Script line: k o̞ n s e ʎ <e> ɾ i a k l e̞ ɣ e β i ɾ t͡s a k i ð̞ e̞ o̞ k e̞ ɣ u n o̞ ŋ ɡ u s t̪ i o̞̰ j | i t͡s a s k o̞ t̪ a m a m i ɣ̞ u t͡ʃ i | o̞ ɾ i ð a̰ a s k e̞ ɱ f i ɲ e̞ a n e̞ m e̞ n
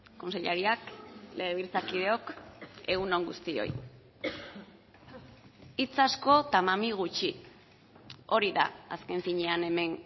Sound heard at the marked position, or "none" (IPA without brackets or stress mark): a